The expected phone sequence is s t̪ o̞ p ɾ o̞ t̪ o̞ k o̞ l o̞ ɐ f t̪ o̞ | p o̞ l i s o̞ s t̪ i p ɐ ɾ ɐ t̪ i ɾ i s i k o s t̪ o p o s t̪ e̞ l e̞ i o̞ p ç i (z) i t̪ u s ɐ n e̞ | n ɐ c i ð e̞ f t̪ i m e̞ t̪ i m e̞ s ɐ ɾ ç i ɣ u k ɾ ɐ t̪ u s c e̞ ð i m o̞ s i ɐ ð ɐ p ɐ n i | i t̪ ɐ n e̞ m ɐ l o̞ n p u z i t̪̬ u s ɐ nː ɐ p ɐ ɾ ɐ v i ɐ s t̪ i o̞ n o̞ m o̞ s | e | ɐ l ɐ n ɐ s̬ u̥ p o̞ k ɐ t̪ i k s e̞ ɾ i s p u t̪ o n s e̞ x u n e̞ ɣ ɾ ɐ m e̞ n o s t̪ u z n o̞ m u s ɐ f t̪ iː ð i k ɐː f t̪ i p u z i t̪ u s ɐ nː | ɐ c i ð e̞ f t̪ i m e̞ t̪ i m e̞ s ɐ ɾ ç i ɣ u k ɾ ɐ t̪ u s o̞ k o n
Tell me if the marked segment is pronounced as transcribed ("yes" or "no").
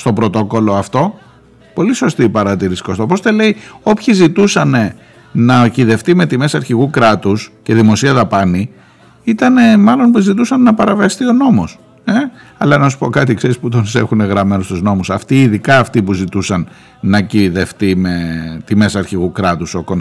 yes